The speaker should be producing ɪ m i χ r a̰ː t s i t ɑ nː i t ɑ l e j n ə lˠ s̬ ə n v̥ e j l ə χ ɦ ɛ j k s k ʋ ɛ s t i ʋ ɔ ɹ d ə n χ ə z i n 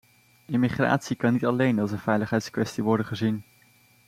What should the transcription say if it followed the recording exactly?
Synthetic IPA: ɪ m i χ r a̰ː t s i k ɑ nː i t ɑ l e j n ɑ lˠ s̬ ə n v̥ ɛ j l ə χ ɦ ɛ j t s k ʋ ɛ s t i ʋ ɔ ɹ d ə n χ ə z i n

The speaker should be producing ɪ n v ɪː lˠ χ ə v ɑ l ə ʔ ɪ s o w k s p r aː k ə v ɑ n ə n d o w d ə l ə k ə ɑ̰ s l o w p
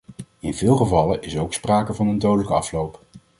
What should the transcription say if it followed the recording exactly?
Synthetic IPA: ɪ n v ɪː lˠ χ ə v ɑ l ə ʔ ɪ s o w k s p r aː k ə v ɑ n ə n d o w d ə l ə k ə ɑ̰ f l o w p

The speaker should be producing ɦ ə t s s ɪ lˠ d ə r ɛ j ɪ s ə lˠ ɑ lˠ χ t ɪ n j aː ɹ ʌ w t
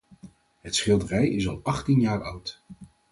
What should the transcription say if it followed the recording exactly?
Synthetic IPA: ɦ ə t s χ ɪ lˠ d ə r ɛ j ɪ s ɑ lˠ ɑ χ t i n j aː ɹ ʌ w t

